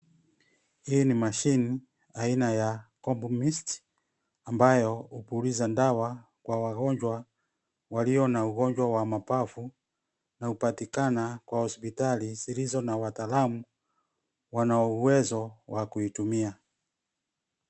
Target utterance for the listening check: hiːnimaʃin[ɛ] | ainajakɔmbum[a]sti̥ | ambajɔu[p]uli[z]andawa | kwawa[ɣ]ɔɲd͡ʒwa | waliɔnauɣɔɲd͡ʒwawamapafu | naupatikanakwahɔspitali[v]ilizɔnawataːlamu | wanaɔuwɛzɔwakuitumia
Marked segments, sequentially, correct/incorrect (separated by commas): incorrect, incorrect, correct, correct, correct, incorrect